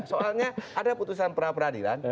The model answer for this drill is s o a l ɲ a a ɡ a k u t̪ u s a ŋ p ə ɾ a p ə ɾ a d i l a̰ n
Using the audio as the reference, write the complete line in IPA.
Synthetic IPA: s o a l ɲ a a d a p u t̪ u s a n p ə ɾ a p ə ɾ a d i l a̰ n